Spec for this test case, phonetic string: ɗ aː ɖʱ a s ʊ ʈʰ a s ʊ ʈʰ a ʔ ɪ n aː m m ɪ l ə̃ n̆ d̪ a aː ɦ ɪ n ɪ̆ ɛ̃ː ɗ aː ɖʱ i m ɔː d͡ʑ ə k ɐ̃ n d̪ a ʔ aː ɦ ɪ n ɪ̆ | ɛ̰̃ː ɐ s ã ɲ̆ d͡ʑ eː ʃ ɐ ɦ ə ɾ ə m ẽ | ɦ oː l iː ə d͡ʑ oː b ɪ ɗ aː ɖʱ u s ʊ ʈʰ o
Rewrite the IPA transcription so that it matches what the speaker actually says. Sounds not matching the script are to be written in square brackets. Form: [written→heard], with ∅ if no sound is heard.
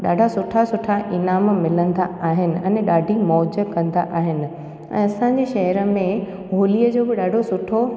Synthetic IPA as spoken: ɗ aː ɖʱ a s ʊ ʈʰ a s ʊ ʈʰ a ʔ ɪ n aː m m ɪ l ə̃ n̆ d̪ a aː ɦ ɪ n ɪ̆ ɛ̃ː ɗ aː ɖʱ i m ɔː d͡ʑ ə k ɐ̃ n d̪ a ʔ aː ɦ ɪ n ɪ̆ | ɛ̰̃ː ɐ s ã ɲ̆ d͡ʑ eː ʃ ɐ ɦ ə ɾ ə m ẽ | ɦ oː l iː ə d͡ʑ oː b ɪ ɗ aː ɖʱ [u→o] s ʊ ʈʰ o